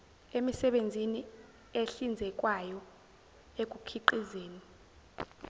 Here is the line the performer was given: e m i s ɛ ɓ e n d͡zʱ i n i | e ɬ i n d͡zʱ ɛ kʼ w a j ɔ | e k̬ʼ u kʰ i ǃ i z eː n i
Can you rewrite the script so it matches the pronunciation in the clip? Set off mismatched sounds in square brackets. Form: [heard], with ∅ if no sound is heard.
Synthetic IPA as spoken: e m i s ɛ ɓ e n d͡zʱ i n i | e ɬ i n d͡zʱ ɛ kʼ w a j ɔ | e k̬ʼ u kʰ i ǃ i z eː n i